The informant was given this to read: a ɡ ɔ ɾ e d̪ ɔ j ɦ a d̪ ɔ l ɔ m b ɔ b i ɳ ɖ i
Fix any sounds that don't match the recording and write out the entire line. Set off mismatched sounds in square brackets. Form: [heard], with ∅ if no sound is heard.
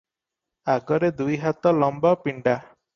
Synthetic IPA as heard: a ɡ ɔ ɾ e d̪ [u] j ɦ a [t̪] ɔ l ɔ m b ɔ [p] i ɳ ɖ [a]